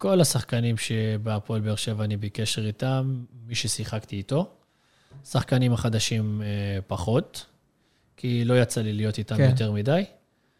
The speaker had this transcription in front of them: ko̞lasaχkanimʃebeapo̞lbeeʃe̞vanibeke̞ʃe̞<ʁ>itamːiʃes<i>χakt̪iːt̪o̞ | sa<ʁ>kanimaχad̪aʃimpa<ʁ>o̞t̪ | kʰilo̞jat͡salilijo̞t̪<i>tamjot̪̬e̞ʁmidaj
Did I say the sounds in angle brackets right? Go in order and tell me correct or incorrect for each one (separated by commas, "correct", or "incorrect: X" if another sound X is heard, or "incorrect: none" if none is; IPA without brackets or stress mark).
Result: correct, correct, incorrect: χ, incorrect: χ, correct